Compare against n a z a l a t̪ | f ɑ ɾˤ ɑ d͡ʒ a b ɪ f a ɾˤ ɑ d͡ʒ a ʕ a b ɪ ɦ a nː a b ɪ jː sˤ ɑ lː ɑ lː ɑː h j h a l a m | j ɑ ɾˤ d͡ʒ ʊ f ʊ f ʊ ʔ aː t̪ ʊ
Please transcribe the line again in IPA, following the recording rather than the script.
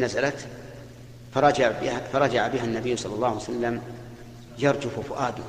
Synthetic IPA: n a z a l a t̪ | f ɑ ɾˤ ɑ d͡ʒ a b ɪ f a ɾˤ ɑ d͡ʒ a ʕ a b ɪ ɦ a nː a b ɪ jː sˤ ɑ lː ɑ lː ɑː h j s a lː a m | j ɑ ɾˤ d͡ʒ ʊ f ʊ f ʊ ʔ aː d̪ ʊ